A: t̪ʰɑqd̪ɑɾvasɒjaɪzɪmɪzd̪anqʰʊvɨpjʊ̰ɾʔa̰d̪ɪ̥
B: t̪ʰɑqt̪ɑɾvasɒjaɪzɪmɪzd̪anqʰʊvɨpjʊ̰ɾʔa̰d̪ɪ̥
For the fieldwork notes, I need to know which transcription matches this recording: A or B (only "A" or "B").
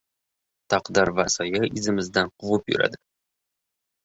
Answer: A